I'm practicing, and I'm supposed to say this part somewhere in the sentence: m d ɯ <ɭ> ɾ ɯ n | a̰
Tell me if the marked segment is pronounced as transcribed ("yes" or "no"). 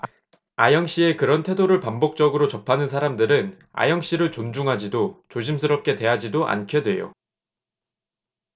no